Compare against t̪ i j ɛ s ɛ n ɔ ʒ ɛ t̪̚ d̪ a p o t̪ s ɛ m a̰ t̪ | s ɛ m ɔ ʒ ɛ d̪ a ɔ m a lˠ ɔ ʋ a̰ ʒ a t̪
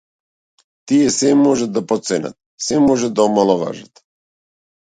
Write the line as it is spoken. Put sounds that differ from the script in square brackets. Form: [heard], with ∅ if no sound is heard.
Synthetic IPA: t̪ i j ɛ s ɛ [m] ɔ ʒ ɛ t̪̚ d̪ a p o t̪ s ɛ [n] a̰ t̪ | s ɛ m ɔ ʒ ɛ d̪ a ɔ m a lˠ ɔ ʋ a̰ ʒ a t̪